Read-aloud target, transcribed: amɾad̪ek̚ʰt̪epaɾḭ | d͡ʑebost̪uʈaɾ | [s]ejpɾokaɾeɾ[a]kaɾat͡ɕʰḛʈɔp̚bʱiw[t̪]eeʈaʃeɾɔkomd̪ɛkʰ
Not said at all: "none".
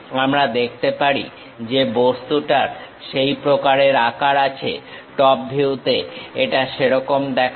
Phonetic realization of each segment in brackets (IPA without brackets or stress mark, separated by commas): ʃ, a, t̪